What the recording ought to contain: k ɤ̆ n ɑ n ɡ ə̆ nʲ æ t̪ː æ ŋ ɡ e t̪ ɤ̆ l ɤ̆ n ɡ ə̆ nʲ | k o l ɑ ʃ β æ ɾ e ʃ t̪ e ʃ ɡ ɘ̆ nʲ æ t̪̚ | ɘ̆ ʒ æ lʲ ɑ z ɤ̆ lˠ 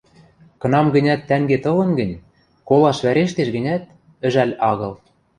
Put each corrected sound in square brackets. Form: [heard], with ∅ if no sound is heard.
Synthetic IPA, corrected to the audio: k ɤ̆ n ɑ [m] ɡ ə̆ nʲ æ t̪ː æ ŋ ɡ e t̪ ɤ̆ l ɤ̆ n ɡ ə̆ nʲ | k o l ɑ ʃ β æ ɾ e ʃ t̪ e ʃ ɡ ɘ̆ nʲ æ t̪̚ | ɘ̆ ʒ æ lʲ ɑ [ɣ] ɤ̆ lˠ